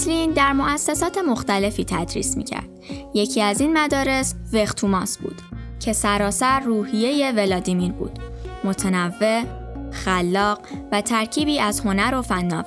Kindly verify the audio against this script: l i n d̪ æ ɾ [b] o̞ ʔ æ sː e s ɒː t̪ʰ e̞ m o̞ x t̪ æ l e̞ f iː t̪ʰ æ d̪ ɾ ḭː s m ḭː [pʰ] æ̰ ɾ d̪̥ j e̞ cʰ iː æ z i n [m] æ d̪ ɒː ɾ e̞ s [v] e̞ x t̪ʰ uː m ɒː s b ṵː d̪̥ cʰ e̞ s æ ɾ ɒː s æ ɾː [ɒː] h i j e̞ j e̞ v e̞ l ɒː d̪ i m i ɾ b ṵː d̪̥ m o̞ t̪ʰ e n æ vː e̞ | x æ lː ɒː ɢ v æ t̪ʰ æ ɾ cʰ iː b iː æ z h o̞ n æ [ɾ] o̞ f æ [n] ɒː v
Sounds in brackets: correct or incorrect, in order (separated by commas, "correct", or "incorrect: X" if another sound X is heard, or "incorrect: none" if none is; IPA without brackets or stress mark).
incorrect: m, incorrect: cʰ, correct, correct, incorrect: uː, correct, incorrect: nː